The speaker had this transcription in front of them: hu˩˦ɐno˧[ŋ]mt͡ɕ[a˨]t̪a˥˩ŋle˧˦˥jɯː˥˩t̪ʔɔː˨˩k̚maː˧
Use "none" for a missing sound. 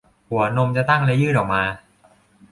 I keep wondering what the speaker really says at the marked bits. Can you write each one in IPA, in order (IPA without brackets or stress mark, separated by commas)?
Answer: none, a˨